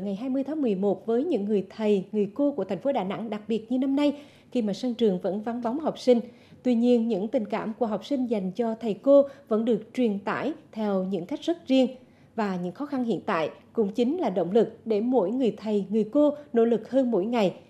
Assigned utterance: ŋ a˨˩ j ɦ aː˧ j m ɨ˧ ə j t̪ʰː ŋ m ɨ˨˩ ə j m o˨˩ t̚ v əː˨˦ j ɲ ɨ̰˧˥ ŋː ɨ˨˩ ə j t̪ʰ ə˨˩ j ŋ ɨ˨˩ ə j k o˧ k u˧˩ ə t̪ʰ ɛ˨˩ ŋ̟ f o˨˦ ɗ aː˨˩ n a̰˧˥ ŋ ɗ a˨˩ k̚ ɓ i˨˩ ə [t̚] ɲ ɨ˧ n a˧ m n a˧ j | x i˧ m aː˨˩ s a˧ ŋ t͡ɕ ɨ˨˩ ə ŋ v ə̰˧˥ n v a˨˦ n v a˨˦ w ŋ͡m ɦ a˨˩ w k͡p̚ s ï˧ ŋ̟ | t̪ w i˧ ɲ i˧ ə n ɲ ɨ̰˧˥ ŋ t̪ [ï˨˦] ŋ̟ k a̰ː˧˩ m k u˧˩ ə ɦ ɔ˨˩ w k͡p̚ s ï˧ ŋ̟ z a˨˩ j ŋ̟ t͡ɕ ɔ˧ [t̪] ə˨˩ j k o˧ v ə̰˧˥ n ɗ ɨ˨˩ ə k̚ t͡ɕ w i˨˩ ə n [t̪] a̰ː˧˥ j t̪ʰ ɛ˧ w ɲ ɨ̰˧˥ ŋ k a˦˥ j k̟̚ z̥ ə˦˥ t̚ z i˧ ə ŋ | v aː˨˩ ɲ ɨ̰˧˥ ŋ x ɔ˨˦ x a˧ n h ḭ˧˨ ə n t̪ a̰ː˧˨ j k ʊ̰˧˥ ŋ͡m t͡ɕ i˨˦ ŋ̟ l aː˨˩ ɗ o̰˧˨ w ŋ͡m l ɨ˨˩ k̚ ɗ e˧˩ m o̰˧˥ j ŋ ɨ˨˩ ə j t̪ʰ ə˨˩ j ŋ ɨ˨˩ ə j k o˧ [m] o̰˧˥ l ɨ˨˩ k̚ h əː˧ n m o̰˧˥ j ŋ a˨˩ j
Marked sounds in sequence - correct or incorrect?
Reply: correct, incorrect: ï˨˩, incorrect: t̪ʰ, correct, incorrect: n

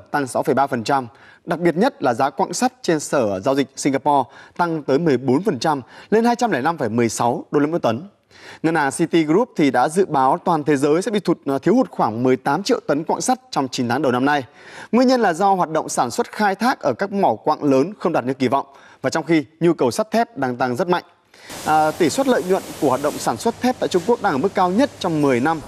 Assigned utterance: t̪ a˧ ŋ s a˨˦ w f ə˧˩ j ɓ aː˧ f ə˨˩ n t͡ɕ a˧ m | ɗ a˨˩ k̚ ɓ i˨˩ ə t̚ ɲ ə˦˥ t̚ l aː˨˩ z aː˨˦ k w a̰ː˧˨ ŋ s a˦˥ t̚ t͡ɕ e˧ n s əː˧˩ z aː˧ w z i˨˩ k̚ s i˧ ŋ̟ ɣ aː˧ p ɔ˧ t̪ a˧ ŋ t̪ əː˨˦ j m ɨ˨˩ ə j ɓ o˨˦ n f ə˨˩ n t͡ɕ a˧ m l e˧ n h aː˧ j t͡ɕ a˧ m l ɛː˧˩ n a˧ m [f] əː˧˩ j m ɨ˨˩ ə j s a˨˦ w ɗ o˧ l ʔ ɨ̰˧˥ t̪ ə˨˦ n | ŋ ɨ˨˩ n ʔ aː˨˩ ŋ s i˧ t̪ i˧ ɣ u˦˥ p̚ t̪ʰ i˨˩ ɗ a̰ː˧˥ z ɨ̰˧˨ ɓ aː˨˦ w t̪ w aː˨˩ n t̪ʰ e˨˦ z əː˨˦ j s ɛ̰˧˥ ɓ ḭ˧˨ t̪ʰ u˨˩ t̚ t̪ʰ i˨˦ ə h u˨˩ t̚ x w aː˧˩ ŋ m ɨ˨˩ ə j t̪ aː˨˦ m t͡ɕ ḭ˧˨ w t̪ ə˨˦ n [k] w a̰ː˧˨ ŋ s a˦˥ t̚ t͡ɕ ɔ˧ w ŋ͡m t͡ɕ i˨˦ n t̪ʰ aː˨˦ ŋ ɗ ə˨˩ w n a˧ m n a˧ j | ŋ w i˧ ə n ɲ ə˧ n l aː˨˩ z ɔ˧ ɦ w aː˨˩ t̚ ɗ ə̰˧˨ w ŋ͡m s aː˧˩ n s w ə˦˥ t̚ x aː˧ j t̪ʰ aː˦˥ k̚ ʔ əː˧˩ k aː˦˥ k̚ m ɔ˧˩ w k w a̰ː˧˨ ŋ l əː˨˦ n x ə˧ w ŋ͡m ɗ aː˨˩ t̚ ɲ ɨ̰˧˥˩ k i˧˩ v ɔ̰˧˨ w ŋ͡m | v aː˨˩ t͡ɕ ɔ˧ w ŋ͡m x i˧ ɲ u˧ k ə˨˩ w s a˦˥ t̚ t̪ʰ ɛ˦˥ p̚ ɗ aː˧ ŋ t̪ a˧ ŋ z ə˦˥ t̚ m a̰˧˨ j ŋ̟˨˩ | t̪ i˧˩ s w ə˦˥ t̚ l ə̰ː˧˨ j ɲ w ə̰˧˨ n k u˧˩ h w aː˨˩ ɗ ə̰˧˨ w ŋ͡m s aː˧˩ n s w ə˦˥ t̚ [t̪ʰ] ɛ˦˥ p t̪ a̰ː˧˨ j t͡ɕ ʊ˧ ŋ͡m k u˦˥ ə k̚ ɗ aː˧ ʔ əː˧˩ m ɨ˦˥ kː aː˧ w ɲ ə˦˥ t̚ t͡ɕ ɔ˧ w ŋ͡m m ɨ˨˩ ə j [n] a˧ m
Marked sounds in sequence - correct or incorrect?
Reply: correct, correct, correct, correct

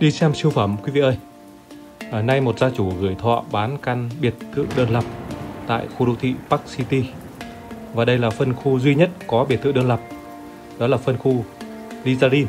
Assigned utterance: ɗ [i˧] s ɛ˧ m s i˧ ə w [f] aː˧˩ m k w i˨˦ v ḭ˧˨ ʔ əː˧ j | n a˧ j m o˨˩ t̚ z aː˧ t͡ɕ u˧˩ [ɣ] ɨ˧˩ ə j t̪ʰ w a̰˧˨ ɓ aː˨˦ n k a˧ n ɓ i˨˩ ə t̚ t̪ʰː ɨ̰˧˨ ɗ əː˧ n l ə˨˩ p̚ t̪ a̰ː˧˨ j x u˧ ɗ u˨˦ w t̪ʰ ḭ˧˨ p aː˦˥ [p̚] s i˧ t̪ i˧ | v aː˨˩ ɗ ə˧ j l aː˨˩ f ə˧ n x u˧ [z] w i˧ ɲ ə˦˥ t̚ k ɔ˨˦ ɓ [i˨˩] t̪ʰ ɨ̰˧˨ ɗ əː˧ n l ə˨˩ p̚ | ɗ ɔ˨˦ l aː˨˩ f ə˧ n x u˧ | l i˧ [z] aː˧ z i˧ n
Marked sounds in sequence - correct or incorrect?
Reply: correct, correct, correct, incorrect: k̚, correct, correct, correct

